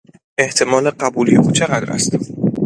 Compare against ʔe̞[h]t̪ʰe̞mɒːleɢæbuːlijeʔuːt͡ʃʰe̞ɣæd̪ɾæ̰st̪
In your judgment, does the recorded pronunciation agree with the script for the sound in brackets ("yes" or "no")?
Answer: yes